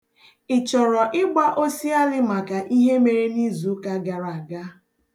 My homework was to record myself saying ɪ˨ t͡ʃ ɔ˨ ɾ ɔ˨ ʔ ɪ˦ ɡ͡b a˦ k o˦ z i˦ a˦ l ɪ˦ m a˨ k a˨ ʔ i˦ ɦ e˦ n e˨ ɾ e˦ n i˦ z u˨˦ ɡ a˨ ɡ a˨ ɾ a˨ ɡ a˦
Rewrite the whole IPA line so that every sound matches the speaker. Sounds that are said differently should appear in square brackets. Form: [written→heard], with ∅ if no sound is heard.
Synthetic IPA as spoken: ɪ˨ t͡ʃ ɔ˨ ɾ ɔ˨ ʔ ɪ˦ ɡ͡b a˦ [k→ʔ] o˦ [z→s] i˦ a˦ l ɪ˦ m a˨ k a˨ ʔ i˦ ɦ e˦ [n→m] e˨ ɾ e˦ n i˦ z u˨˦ [ɡ→k] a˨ ɡ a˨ ɾ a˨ ɡ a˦